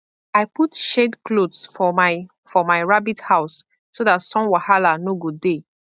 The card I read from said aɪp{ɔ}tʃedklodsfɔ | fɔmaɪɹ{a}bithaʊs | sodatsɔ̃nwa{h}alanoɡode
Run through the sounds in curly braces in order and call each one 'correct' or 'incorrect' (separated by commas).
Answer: incorrect, correct, correct